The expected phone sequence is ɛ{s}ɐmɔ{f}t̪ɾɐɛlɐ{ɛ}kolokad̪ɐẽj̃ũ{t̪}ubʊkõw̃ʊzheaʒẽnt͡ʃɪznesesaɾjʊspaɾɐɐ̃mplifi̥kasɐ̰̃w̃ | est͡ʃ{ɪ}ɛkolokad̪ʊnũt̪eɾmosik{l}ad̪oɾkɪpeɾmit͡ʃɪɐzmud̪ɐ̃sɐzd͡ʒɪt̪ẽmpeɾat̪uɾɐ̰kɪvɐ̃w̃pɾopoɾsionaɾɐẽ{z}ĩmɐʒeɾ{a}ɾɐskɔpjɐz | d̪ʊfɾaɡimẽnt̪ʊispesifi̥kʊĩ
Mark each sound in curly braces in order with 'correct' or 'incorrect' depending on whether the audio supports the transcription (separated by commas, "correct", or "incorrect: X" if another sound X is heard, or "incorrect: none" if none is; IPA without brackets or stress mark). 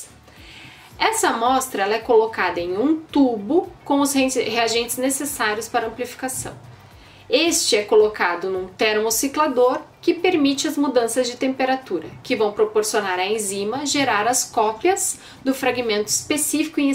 correct, incorrect: s, correct, correct, correct, correct, correct, correct